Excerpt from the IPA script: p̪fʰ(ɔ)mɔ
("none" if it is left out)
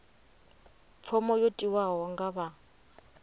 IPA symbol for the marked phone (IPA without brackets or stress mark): ɔ